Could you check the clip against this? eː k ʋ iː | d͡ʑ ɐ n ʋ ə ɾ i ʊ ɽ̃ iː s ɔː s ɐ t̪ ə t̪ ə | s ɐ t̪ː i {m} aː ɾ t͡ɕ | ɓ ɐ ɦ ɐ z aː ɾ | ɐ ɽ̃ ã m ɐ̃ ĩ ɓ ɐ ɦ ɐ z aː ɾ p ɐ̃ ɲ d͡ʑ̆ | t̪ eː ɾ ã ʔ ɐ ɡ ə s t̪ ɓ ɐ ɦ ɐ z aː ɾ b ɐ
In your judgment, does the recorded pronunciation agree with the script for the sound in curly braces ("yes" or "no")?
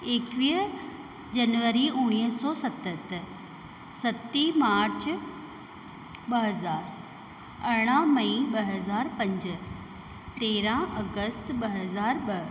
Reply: yes